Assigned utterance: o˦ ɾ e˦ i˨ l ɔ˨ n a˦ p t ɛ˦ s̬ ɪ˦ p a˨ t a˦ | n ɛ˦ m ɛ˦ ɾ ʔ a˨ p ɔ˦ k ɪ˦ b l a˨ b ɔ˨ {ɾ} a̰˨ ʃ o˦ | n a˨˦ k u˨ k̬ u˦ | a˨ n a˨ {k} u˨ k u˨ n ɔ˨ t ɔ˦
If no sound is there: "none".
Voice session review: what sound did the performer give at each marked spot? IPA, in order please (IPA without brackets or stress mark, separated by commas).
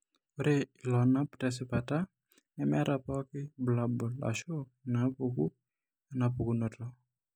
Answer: l, p